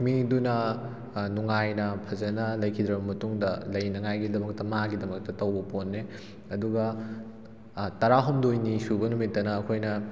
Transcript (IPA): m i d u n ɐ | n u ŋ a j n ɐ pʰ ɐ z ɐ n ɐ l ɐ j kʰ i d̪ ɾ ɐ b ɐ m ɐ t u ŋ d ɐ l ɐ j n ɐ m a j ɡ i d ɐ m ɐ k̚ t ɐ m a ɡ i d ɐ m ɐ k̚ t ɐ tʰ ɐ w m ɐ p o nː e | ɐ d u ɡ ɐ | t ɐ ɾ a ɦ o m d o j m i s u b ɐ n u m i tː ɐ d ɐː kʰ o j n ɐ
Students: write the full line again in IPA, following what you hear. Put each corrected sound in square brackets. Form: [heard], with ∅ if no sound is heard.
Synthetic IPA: m i d u n ɐ | n u ŋ a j n ɐ pʰ ɐ z ɐ n ɐ l ɐ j kʰ i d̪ ɾ ɐ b ɐ m ɐ t u ŋ d ɐ l ɐ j n ɐ [ŋ] a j ɡ i d ɐ m ɐ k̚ t ɐ m a ɡ i d ɐ m ɐ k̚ t ɐ [t] ɐ w [b] ɐ p o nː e | ɐ d u ɡ ɐ | t ɐ ɾ a ɦ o m d o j [n] i s u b ɐ n u m i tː ɐ [n] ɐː kʰ o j n ɐ